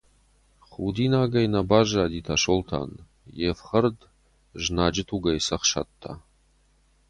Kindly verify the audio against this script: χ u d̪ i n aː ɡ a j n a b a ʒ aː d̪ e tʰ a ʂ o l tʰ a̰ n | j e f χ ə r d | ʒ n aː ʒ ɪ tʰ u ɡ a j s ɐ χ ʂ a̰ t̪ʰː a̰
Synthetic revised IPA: χ u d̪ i n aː ɡ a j n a b a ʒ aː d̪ i tʰ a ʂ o l tʰ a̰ n | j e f χ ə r d | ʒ n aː d͡ʒ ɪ tʰ u ɡ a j s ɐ χ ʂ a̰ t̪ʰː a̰